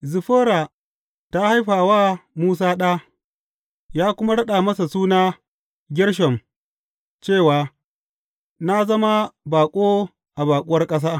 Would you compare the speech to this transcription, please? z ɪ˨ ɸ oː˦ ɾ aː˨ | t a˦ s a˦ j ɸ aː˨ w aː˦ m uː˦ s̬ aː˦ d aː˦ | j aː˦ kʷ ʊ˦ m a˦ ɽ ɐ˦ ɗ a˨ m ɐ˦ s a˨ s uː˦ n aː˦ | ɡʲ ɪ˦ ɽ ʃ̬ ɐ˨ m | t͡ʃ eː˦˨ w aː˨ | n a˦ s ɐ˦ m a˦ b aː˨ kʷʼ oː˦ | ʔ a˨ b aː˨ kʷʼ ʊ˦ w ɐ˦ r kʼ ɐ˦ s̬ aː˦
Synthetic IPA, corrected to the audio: z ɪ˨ ɸ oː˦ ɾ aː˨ | t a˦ h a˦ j ɸ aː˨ w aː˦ m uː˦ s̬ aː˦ ɗ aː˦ | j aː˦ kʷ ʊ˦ m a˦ ɽ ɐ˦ ɗ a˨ m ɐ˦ s a˨ s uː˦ n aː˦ | ɡʲ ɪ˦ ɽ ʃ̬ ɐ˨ m | t͡ʃ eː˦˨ w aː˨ | n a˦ z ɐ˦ m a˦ b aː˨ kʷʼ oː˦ | ʔ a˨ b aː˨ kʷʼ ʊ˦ w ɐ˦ r kʼ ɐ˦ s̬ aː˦